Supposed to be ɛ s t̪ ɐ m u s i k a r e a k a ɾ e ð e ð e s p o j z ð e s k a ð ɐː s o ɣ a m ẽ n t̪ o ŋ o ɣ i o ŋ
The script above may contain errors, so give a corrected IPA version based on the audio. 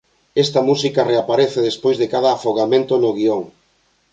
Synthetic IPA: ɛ s t̪ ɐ m u s i k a r e a p a ɾ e θ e ð e s p o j z ð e k a ð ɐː f o ɣ a m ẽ n t̪ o n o ɣ i o ŋ